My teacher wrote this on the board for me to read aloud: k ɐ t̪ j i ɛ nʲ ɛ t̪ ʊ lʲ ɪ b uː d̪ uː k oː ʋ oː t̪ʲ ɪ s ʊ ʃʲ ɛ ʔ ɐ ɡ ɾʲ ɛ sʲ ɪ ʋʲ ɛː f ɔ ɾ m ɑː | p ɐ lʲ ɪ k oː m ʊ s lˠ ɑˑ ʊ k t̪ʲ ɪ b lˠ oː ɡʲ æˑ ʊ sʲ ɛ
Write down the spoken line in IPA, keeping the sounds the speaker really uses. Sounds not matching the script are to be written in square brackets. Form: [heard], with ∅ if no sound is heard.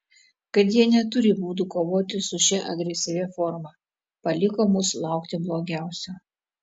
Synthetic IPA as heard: k ɐ t̪ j i ɛ nʲ ɛ t̪ ʊ [ɾʲ] ɪ b uː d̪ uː k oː ʋ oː t̪ʲ ɪ s ʊ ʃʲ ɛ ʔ ɐ ɡ ɾʲ ɛ sʲ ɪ ʋʲ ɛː f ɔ ɾ m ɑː | p ɐ lʲ ɪ k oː m ʊ s lˠ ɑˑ ʊ k t̪ʲ ɪ b lˠ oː ɡʲ æˑ ʊ sʲ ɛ